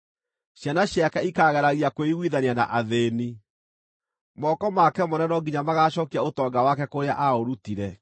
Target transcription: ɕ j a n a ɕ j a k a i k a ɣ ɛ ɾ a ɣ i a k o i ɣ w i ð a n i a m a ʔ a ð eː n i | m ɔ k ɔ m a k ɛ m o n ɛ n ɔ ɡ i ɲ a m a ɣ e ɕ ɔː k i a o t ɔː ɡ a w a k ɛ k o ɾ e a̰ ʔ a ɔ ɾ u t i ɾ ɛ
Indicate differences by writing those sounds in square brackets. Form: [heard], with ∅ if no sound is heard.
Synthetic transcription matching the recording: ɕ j a n a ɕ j a k a i k a ɣ ɛ ɾ a ɣ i a k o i ɣ w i ð a n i a [n] a ʔ a ð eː n i | m ɔ k ɔ m a k ɛ m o n ɛ n ɔ ɡ i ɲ a m a ɣ [a] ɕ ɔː k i a o t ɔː ɡ a w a k ɛ k o ɾ e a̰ ʔ a [o] ɾ u t i ɾ ɛ